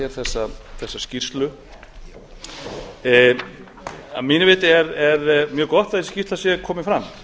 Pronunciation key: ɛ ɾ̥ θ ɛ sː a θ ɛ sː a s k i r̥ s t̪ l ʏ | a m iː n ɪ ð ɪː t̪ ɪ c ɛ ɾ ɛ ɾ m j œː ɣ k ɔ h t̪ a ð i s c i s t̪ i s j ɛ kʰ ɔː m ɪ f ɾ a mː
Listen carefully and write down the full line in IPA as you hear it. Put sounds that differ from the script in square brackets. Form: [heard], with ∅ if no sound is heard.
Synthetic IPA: ɛ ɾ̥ θ ɛ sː a θ ɛ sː a s [c] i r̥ s t̪ l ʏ | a m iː n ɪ [v] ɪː t̪ ɪ [∅] ɛ ɾ ɛ ɾ m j œː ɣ k ɔ h t̪ a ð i s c i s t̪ [a] s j ɛ kʰ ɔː m ɪ f ɾ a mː